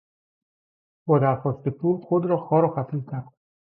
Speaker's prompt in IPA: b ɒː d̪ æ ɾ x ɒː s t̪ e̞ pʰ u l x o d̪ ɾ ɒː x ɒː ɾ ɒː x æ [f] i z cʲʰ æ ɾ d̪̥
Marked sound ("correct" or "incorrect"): correct